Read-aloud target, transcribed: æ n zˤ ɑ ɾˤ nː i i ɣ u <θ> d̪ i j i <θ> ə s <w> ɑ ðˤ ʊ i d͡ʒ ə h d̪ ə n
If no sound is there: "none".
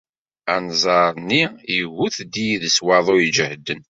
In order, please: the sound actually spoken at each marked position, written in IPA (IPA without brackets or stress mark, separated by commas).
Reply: θ, ð, w